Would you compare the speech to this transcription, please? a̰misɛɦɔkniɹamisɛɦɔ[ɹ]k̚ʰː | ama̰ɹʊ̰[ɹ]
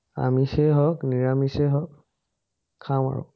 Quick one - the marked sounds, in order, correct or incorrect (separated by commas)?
incorrect, incorrect